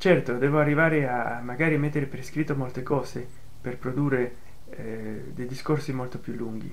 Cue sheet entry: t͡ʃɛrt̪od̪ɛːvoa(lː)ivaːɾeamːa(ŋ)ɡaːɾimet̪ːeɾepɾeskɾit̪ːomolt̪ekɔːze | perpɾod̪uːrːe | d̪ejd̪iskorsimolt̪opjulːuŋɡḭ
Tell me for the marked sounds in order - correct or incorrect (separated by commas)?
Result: incorrect, incorrect